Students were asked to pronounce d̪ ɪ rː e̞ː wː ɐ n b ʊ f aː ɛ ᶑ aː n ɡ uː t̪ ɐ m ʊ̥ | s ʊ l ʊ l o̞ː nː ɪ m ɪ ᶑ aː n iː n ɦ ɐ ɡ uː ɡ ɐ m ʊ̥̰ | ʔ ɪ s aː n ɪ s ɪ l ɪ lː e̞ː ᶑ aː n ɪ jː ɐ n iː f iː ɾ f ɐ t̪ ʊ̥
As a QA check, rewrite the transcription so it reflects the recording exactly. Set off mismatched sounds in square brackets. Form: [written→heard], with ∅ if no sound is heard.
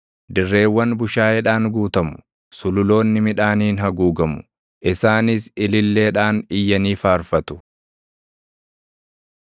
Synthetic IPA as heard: d̪ ɪ rː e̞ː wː ɐ n b ʊ [f→ʃ] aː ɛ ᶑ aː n ɡ uː t̪ ɐ m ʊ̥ | s ʊ l ʊ l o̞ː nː ɪ m ɪ ᶑ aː n iː n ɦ ɐ ɡ uː ɡ ɐ m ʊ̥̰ | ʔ ɪ s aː n ɪ s ɪ l ɪ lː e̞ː ᶑ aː n ɪ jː ɐ n iː f [iː→aː] ɾ f ɐ t̪ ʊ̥